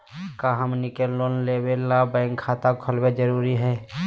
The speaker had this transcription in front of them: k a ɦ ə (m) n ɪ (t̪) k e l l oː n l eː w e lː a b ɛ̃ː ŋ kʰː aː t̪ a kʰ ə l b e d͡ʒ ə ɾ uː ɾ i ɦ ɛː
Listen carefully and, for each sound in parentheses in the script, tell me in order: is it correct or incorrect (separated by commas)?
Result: correct, incorrect